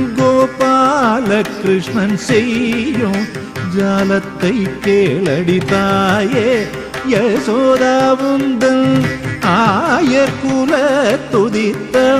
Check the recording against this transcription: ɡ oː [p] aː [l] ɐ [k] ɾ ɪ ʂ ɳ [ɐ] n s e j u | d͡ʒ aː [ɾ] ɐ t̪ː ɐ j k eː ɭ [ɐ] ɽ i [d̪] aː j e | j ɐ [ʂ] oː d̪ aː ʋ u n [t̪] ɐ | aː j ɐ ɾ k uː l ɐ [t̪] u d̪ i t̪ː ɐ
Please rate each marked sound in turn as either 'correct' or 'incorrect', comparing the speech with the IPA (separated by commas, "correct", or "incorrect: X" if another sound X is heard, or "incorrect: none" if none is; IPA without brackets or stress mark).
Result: correct, correct, correct, correct, incorrect: l, correct, incorrect: t̪, incorrect: s, incorrect: d̪, correct